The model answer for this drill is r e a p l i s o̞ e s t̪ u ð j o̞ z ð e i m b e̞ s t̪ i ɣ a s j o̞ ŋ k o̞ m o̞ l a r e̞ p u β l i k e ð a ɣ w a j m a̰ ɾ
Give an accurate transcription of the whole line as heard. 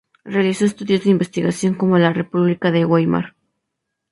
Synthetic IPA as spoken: r e a l i s o̞ e s t̪ u ð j o̞ z ð e i m b e̞ s t̪ i ɣ a s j o̞ ŋ k o̞ m o̞ l a r e̞ p u β l i k a ð e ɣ w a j m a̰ ɾ